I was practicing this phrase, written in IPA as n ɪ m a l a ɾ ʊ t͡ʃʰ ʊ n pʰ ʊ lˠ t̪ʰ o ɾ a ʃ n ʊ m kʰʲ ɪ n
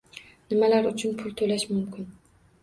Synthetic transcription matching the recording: n ɪ m a l a ɾ ʊ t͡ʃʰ ʊ n pʰ ʊ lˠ t̪ʰ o l a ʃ m ʊ m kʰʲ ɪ n